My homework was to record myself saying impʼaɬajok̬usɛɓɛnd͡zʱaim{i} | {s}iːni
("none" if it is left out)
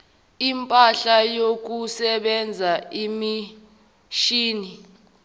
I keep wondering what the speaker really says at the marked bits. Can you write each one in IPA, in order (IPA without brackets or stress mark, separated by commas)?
i, ʃ